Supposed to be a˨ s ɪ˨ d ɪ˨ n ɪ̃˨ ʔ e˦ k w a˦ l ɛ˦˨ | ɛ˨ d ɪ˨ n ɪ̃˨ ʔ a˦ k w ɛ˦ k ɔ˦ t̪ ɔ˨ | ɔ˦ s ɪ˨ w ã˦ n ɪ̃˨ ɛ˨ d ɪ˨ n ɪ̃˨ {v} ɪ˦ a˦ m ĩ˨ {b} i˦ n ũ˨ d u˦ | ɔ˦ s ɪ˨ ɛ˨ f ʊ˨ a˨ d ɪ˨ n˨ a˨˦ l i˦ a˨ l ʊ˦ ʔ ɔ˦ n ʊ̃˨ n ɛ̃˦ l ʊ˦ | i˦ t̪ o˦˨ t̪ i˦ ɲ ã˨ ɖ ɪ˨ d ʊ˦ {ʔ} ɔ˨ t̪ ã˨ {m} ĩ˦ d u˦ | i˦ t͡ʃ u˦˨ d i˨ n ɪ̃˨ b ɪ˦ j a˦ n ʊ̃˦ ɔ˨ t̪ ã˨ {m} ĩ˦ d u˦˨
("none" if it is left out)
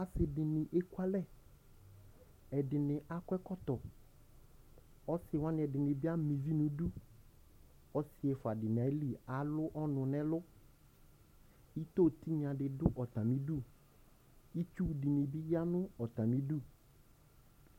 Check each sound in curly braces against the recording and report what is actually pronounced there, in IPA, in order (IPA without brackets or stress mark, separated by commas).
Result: b, v, ʔ, m, m